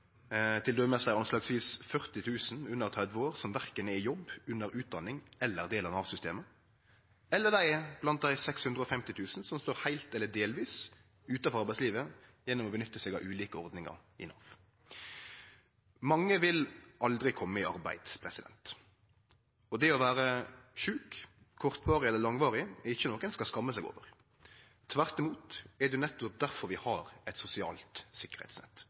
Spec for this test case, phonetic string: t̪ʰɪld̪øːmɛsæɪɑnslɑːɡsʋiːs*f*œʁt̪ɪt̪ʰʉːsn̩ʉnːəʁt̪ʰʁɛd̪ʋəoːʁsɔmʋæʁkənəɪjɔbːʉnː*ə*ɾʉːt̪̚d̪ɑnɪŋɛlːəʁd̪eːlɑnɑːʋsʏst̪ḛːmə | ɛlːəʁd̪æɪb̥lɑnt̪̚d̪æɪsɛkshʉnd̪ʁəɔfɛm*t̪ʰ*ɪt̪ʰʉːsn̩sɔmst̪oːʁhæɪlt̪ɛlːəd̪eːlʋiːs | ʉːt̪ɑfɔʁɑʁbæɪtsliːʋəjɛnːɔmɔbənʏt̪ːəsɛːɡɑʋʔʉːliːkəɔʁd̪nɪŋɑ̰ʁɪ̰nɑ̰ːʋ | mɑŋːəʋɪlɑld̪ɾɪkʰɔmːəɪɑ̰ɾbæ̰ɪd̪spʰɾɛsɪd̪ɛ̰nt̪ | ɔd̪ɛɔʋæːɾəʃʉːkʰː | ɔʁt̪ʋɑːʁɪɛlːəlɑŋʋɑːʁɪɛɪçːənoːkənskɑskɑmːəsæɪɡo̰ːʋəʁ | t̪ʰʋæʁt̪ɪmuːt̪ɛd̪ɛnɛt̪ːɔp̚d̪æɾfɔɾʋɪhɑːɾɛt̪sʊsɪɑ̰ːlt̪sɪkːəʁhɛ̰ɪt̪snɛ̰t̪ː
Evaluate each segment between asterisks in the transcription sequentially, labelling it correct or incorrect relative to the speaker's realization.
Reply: correct, correct, incorrect

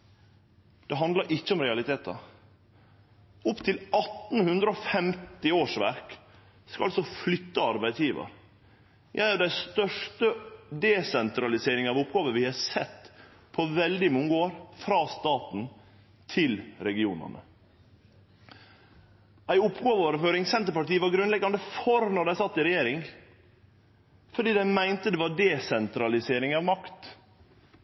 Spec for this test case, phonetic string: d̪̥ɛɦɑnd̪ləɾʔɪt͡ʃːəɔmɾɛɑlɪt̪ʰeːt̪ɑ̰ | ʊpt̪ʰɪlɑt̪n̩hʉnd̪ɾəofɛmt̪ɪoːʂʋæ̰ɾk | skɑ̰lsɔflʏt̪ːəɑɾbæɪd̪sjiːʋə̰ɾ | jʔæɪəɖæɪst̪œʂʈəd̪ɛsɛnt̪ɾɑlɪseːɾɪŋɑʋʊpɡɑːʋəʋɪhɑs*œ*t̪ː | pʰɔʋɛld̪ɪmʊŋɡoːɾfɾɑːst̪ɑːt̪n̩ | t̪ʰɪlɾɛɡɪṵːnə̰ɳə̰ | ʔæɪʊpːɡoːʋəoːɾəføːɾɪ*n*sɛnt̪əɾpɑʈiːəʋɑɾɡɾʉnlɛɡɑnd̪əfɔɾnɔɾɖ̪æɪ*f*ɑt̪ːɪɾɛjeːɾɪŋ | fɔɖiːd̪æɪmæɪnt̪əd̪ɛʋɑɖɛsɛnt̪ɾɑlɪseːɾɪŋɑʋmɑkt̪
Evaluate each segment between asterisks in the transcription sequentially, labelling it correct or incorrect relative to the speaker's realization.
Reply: incorrect, incorrect, incorrect

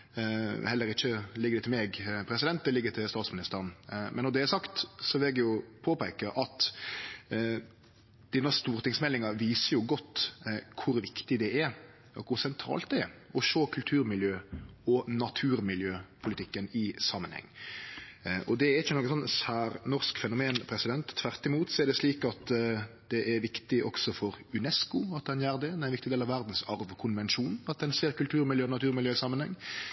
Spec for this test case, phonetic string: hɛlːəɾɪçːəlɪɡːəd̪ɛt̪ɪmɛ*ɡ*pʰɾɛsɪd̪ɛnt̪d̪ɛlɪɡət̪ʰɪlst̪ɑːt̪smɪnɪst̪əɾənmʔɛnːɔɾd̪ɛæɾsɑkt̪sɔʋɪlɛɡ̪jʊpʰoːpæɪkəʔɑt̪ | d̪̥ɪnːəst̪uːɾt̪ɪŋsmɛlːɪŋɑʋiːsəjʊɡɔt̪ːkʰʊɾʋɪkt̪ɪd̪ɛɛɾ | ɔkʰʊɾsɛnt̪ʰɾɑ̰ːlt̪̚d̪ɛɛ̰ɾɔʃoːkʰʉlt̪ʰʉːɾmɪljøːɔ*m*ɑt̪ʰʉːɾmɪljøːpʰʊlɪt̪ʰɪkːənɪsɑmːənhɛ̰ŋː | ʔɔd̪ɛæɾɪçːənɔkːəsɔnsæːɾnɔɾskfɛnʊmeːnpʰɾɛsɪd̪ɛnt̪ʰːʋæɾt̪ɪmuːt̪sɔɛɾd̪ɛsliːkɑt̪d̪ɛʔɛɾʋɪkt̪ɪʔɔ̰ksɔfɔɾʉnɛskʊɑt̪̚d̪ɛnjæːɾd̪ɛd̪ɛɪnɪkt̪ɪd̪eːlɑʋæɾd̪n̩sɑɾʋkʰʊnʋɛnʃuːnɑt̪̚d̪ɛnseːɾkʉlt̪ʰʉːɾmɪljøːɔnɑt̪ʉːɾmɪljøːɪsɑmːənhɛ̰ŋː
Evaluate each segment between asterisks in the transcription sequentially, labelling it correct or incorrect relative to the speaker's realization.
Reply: correct, incorrect

